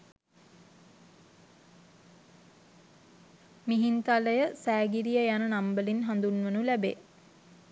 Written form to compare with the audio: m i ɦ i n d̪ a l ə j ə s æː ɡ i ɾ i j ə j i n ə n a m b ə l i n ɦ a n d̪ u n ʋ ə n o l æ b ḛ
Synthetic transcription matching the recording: m i ɦ i n t̪ a l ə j ə s æː ɡ i ɾ i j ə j a n ə n a m b ə l i n ɦ a n d̪ u n ʋ ə n u l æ b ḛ